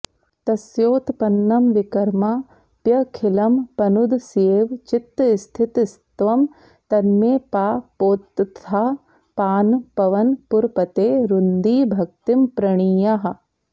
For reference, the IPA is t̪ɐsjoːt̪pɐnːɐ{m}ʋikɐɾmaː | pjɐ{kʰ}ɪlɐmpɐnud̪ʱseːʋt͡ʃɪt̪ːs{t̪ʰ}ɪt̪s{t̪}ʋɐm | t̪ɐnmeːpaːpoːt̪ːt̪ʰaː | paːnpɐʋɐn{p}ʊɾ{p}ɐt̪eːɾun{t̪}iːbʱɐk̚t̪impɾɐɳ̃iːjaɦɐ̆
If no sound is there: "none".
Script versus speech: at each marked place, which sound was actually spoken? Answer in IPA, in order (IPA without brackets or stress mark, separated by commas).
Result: m, kʰ, t̪ʰ, t̪, p, p, d̪